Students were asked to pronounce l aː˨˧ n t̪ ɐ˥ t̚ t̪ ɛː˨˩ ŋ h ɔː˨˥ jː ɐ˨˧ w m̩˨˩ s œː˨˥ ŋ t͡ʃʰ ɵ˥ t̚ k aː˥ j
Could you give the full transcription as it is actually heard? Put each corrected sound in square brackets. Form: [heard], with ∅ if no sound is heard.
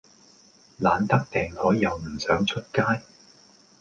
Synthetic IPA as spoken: l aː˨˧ n t̪ ɐ˥ [k̚] t̪ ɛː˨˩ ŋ h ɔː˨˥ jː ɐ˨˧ w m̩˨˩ s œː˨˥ ŋ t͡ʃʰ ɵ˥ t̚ k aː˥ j